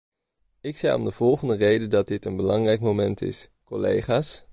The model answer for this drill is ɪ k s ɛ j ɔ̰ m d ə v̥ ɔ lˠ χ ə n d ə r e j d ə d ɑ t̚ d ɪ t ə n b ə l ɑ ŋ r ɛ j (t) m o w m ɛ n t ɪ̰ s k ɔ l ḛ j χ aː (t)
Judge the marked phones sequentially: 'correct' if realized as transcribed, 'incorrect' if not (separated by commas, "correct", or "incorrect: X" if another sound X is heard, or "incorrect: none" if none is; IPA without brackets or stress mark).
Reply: incorrect: k, incorrect: s